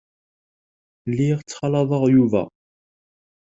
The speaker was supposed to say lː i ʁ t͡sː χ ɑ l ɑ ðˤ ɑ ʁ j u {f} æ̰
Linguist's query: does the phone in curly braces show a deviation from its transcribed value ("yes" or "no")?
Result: yes